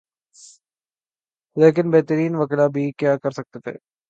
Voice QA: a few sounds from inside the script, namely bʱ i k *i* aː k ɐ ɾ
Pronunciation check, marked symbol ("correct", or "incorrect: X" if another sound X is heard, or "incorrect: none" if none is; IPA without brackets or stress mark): incorrect: j